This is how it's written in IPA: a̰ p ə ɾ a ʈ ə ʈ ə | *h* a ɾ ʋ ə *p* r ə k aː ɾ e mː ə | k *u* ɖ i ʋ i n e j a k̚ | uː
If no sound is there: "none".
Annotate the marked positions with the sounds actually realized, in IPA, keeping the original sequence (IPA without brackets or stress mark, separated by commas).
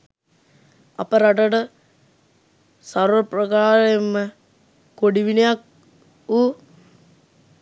s, p, o